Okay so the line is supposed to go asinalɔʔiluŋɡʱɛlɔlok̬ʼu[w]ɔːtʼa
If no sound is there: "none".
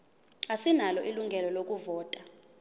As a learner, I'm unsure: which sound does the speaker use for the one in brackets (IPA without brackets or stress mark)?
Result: v